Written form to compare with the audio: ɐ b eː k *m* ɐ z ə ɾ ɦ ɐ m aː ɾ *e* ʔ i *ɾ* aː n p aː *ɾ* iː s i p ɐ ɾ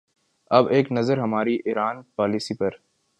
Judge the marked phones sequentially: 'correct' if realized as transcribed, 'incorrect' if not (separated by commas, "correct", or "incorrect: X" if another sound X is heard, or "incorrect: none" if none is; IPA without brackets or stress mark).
incorrect: n, incorrect: i, correct, incorrect: l